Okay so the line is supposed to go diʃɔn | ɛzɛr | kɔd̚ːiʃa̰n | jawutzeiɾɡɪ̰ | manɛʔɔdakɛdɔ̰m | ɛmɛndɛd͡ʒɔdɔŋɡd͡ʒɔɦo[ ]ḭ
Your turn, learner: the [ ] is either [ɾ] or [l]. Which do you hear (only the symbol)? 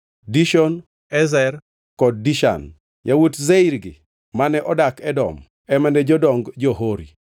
ɾ